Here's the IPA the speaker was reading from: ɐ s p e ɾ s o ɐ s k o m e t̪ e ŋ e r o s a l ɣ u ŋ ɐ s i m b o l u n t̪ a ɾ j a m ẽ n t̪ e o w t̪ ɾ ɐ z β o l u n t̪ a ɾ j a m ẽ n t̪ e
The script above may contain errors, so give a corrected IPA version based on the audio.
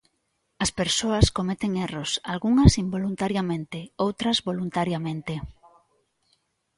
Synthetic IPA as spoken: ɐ s p e ɾ s o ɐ s k o m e t̪ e ŋ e r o s a l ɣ u ŋ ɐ s i m b o l u n t̪ a ɾ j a m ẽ n t̪ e o w t̪ ɾ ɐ z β o l u n t̪ a ɾ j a m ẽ n t̪ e